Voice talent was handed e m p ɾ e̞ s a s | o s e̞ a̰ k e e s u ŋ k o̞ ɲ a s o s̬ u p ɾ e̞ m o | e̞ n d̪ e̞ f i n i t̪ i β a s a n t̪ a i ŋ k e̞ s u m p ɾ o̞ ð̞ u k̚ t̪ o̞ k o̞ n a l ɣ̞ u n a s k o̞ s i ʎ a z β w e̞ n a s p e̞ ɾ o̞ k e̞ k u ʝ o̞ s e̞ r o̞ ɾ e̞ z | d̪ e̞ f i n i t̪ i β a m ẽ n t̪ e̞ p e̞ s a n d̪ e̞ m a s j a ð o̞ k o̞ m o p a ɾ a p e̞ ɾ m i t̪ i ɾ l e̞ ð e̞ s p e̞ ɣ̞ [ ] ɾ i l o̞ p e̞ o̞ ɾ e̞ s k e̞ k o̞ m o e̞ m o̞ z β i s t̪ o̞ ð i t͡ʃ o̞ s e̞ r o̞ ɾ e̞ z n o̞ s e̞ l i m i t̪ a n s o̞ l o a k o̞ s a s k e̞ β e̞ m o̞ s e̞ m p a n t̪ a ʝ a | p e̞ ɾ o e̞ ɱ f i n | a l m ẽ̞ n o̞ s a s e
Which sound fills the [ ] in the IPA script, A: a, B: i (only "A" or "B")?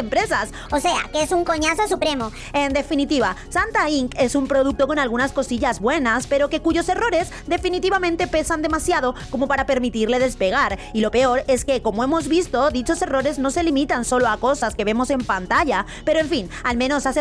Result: A